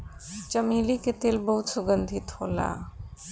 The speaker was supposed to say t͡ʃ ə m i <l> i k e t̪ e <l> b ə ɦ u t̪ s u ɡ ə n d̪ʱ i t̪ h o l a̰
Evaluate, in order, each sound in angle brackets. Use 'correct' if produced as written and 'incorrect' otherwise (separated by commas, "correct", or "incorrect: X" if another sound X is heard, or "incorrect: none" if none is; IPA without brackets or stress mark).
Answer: correct, correct